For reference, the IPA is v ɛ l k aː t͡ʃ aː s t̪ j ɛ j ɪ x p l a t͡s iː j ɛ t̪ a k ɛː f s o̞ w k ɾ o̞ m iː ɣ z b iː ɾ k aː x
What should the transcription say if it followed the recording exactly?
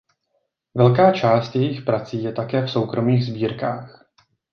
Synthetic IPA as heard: v ɛ l k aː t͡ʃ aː s t̪ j ɛ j ɪ x p ɾ a t͡s iː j ɛ t̪ a k ɛː f s o̞ w k ɾ o̞ m iː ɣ z b iː ɾ k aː x